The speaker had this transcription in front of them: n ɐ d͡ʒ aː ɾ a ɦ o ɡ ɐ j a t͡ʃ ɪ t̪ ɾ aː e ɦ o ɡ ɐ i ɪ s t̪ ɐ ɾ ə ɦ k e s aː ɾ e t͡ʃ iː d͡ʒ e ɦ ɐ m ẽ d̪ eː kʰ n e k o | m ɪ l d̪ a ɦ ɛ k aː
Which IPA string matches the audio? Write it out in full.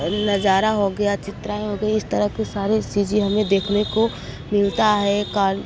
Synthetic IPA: n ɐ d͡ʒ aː ɾ a ɦ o ɡ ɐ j a t͡ʃ ɪ t̪ ɾ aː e ɦ o ɡ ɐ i ɪ s t̪ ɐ ɾ ə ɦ k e s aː ɾ e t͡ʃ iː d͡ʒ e ɦ ɐ m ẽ d̪ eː kʰ n e k o | m ɪ l t̪ a ɦ ɛ k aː